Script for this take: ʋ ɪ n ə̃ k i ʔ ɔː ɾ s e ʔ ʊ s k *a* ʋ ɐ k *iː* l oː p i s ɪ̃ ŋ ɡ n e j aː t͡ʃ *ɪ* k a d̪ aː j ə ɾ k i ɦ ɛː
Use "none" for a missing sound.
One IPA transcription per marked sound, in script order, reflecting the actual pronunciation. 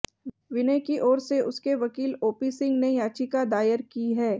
e, iː, i

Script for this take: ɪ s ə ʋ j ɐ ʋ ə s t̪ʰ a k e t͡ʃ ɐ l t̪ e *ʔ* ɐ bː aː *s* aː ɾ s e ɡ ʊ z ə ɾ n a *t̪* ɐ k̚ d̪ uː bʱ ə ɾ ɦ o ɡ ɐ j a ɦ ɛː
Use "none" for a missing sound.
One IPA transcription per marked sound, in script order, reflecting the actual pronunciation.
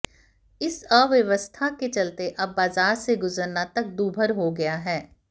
ʔ, z, t̪

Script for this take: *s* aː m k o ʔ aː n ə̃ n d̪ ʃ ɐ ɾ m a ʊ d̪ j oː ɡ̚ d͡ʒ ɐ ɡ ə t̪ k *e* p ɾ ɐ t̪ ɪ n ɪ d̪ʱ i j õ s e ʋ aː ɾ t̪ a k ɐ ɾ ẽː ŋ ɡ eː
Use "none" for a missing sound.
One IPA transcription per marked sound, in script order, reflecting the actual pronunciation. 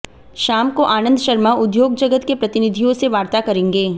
ʃ, e

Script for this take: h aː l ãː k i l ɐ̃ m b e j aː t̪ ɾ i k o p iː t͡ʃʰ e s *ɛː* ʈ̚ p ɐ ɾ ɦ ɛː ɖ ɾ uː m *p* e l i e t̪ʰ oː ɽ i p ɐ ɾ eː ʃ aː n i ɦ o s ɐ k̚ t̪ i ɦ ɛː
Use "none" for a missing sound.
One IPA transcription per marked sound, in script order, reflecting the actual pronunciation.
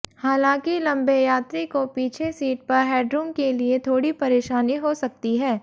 iː, k

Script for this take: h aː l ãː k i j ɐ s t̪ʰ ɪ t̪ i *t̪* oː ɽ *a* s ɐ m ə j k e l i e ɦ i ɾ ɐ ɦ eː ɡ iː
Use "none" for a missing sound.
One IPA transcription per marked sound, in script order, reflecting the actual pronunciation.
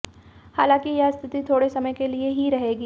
t̪ʰ, e

